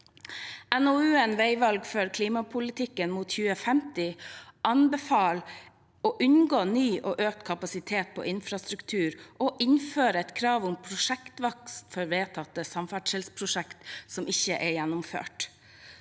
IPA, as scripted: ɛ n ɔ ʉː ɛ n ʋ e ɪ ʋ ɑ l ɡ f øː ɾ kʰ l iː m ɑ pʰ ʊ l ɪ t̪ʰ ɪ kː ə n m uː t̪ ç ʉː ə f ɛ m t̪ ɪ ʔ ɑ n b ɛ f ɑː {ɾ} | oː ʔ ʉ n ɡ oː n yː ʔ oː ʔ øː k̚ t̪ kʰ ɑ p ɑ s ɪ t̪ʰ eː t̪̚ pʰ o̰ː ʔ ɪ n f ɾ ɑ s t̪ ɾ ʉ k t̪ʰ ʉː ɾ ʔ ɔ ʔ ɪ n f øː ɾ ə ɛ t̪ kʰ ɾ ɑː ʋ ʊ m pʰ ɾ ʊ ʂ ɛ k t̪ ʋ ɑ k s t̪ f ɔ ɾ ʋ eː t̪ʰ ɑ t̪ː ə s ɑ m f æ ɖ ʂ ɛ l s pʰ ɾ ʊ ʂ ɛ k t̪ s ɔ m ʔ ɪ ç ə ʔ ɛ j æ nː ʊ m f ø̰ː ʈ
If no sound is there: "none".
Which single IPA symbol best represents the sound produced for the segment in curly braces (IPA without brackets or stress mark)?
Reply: l